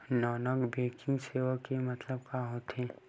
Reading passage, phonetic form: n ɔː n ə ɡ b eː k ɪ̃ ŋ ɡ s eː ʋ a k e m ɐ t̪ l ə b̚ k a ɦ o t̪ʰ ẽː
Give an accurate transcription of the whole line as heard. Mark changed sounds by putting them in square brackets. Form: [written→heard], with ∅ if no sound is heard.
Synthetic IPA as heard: n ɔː n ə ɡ b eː k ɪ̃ ŋ ɡ s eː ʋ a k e m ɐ t̪ l ə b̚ k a ɦ o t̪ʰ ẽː